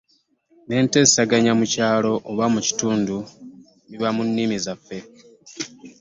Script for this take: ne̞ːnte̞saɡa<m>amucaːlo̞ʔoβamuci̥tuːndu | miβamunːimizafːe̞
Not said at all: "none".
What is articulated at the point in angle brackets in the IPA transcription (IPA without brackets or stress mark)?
ɲ